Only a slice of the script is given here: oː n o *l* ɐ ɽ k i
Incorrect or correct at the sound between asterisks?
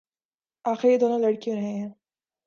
correct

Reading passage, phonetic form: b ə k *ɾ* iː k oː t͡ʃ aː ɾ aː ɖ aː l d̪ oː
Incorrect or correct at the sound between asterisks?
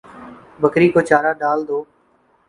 correct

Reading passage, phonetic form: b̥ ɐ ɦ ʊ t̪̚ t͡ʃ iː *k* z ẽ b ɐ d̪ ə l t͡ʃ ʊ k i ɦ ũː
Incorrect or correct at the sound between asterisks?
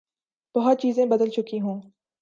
incorrect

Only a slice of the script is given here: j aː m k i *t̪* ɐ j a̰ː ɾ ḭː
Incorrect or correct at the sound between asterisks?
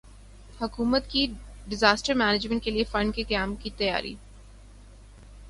correct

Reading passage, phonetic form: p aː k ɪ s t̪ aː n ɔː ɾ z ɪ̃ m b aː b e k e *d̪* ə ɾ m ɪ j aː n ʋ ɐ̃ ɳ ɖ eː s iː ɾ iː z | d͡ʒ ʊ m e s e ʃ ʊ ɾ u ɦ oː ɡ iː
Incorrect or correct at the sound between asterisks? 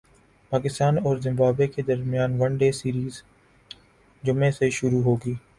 correct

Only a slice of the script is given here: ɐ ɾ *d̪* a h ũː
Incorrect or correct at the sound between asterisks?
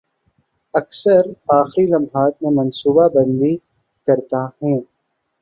incorrect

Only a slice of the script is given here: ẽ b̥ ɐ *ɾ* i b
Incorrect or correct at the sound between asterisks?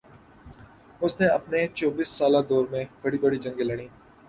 incorrect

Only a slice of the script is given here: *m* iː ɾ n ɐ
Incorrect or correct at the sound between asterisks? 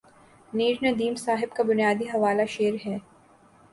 incorrect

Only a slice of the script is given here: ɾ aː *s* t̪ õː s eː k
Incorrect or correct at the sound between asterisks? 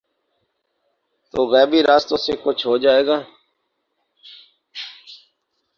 correct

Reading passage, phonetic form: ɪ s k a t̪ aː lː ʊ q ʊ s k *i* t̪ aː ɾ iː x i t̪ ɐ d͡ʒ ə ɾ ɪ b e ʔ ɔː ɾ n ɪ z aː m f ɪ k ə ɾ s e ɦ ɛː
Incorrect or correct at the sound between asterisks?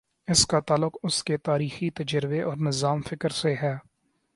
incorrect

